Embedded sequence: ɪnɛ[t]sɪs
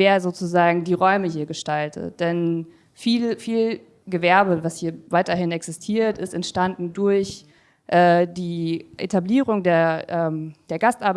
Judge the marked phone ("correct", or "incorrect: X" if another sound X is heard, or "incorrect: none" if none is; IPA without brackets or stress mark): incorrect: k